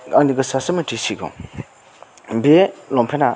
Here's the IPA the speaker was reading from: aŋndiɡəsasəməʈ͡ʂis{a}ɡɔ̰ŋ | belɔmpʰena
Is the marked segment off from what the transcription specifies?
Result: yes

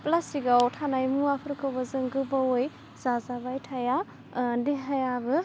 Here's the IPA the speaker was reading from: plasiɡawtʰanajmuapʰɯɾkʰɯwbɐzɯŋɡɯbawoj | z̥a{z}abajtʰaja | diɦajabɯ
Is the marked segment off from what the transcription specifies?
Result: no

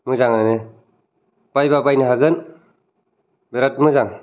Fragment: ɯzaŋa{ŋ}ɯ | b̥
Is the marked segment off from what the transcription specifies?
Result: yes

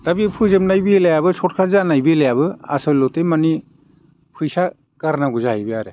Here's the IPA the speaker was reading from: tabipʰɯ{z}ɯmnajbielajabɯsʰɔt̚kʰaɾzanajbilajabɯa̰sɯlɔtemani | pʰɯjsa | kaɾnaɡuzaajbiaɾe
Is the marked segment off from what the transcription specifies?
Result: no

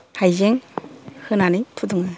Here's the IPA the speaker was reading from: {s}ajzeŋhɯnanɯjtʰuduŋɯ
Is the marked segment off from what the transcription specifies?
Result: yes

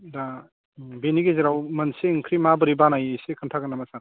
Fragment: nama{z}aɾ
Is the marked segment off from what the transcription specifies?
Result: yes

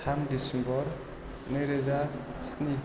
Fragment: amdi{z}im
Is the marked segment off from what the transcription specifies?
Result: yes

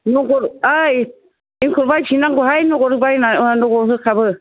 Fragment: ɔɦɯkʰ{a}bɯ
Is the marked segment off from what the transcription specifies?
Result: no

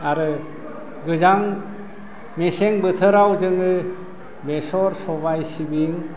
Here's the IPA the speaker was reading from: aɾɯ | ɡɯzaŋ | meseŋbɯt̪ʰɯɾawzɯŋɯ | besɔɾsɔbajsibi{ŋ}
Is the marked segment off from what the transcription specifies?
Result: no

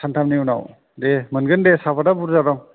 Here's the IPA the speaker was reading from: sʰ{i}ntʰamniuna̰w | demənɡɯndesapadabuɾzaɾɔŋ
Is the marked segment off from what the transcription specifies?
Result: yes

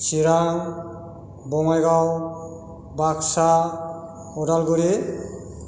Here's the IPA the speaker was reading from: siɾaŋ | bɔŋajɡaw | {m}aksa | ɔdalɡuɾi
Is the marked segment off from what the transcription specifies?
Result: yes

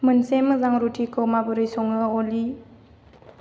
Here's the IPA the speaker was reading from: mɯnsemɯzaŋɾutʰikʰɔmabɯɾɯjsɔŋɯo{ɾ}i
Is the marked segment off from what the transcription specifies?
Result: yes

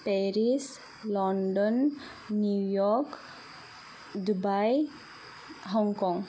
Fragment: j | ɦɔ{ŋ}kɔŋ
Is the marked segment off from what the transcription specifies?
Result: no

